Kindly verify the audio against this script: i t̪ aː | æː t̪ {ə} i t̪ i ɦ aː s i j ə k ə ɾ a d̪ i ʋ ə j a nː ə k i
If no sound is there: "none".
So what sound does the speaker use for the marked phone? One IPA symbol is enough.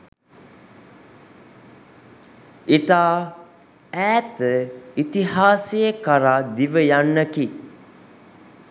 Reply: ə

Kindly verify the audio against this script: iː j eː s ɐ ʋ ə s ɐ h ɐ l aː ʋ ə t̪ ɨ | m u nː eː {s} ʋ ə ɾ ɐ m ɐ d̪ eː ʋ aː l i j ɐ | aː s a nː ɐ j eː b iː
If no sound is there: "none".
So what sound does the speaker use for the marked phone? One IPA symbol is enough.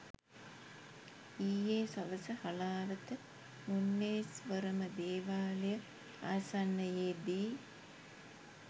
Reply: s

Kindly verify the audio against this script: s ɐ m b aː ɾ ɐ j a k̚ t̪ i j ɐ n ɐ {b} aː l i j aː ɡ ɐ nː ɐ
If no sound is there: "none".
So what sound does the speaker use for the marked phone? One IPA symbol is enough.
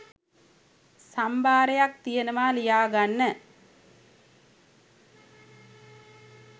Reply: m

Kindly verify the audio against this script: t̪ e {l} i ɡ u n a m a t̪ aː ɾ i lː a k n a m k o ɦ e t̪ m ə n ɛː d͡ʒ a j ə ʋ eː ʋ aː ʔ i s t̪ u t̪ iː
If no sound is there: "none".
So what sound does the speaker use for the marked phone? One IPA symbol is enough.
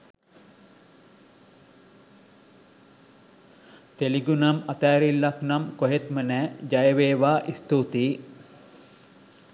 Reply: l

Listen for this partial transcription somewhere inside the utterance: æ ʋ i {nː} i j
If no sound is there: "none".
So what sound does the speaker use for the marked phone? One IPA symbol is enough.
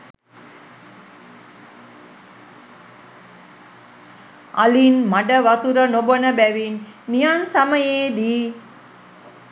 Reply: nː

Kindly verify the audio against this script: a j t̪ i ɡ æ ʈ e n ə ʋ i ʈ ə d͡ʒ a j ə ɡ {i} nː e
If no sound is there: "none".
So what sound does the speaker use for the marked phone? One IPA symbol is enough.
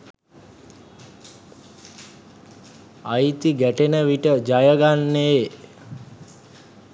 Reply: a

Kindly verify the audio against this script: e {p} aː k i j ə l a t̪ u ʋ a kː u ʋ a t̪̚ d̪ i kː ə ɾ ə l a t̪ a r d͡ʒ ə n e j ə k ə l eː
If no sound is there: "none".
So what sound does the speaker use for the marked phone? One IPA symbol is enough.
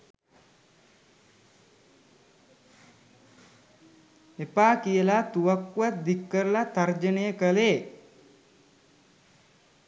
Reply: p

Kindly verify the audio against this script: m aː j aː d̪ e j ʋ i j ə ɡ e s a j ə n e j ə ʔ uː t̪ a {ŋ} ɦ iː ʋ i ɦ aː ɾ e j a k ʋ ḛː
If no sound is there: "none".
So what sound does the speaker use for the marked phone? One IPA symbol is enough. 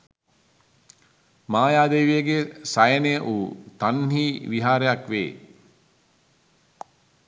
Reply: n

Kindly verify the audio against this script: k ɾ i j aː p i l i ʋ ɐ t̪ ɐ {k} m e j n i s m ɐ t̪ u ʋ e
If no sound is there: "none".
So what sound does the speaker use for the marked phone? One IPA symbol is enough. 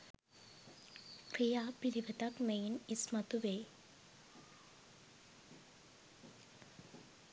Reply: k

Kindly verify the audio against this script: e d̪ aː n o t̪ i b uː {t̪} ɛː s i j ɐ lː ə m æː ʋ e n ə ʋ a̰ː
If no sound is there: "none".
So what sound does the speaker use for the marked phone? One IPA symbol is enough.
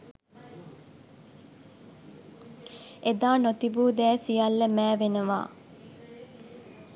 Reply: d̪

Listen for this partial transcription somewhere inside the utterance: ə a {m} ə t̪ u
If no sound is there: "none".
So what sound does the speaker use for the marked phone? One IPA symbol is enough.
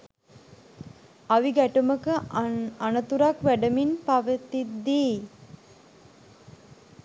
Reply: n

